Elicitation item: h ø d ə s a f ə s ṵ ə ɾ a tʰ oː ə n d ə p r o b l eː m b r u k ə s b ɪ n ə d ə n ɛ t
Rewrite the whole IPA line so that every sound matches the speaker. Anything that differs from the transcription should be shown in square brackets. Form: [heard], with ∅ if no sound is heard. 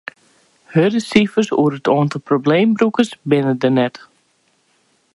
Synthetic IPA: h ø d ə s [i] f ə s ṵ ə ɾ [ə] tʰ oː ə n [t] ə p r o b l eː m b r u k ə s b ɪ n ə d ə n ɛ t